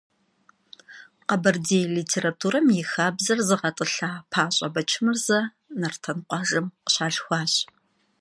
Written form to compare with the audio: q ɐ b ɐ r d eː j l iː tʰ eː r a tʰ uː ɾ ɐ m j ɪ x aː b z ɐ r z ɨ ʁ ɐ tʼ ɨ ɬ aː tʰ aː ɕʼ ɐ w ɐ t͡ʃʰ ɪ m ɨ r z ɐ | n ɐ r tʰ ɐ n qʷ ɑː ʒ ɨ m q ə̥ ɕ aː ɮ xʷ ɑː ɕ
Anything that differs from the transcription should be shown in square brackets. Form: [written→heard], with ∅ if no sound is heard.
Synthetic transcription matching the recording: q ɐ b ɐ r d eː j l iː tʰ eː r a tʰ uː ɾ ɐ m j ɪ x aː b z ɐ r z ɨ ʁ ɐ tʼ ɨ ɬ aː [tʰ→pʰ] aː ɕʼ ɐ [w→b] ɐ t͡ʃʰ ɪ m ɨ r z ɐ | n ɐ r tʰ ɐ n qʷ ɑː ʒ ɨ m q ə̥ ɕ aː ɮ xʷ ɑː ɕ